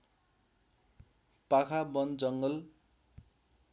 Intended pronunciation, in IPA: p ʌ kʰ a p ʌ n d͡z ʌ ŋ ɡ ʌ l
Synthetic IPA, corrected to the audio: p a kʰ a b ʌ n d͡z ʌ ŋ ɡ ʌ l